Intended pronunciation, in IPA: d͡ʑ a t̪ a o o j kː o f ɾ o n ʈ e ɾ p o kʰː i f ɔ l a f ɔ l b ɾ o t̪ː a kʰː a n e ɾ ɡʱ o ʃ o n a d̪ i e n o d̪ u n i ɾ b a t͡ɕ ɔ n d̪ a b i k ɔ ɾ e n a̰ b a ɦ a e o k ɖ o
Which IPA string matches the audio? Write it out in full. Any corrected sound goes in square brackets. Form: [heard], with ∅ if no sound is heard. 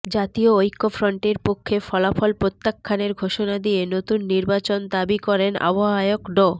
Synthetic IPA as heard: d͡ʑ a t̪ [i] o o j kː o f ɾ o [ɳ] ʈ e ɾ p o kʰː [e] f ɔ l a f ɔ l [p] ɾ o t̪ː a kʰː a n e ɾ ɡʱ o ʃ o n a d̪ i e n o [t̪] u [nː] i ɾ b a t͡ɕ [o] n d̪ a b i k ɔ ɾ e n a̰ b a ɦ a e o k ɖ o